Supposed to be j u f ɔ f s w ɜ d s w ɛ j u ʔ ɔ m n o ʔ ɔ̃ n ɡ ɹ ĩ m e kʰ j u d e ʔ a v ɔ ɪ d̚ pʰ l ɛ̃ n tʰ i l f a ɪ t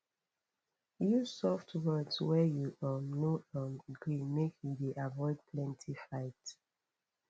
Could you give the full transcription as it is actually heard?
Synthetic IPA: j u s ɔ f t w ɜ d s w ɛ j u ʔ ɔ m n o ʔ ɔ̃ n ɡ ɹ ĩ m e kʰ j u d e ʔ a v ɔ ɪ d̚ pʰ l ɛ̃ n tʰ i f a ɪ t